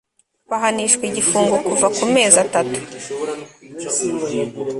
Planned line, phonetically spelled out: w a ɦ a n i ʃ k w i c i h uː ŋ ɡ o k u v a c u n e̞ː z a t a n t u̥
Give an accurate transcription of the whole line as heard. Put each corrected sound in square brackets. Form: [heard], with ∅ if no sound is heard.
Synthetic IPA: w a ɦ a n i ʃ k w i [ɟ] i [f] uː ŋ ɡ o k u v a [k] u [m] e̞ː z a t a [∅] t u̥